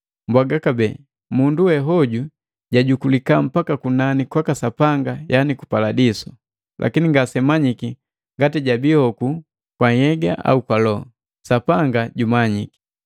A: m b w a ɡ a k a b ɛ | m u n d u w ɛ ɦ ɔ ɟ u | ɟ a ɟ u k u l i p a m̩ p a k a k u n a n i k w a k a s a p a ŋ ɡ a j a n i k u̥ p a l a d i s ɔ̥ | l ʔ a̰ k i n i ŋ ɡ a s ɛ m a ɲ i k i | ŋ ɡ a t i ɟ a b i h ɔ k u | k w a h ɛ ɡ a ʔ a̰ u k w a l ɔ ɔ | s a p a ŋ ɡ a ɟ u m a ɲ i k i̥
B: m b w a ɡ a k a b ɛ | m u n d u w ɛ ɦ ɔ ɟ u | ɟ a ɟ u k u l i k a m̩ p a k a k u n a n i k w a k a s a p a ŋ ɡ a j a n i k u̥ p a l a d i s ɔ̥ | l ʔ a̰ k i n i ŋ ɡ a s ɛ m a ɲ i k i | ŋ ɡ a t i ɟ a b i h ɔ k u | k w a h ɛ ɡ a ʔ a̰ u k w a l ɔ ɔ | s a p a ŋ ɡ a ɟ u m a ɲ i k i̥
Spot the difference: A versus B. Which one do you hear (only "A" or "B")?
B